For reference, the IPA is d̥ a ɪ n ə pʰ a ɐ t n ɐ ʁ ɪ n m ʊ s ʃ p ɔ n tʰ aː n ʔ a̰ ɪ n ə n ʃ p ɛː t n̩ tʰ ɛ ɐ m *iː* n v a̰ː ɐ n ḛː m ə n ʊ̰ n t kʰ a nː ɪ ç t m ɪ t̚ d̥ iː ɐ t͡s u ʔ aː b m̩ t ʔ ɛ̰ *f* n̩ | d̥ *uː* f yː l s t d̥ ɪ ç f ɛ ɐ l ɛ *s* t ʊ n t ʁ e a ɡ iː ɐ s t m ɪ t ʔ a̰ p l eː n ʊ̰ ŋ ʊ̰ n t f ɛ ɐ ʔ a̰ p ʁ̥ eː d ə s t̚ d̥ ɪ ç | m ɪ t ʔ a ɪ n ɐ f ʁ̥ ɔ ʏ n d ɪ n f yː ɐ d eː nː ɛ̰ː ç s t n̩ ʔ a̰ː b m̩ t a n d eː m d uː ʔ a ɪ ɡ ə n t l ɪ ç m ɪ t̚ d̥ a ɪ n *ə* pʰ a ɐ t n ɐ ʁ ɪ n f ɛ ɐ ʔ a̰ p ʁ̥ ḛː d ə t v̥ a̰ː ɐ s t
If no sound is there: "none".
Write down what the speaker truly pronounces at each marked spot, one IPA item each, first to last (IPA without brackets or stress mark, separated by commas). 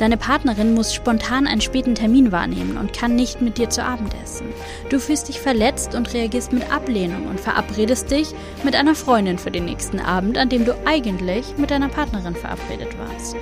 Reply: iː, s, uː, t͡s, ɐ